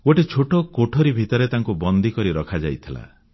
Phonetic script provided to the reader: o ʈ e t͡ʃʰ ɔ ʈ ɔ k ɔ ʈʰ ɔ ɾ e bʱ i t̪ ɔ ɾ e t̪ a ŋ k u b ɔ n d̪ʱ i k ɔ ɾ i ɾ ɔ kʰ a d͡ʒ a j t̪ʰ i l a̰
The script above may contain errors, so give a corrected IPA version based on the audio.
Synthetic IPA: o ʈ e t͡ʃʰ o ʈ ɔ k o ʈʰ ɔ ɾ i bʱ i t̪ ɔ ɾ e t̪ a ŋ k u b ɔ n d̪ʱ i k ɔ ɾ i ɾ ɔ kʰ a d͡ʒ a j t̪ʰ i l a̰